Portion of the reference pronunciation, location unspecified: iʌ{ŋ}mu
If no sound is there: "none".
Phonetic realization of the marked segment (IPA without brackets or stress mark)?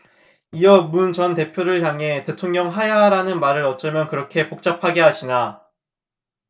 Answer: none